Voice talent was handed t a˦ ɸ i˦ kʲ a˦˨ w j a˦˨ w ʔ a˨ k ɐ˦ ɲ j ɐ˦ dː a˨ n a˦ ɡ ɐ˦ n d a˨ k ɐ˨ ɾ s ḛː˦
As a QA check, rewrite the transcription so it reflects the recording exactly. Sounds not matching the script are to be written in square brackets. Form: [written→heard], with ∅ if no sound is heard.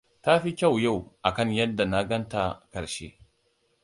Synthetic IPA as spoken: t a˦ ɸ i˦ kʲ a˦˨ w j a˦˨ w ʔ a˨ k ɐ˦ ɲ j ɐ˦ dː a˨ n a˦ ɡ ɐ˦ n [d→t] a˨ k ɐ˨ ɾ [s→ʃ] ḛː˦